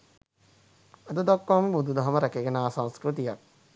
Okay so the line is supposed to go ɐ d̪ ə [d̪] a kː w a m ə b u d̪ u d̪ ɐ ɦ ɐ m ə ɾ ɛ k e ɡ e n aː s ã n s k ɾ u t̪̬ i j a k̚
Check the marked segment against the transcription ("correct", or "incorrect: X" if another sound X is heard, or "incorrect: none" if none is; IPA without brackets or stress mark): correct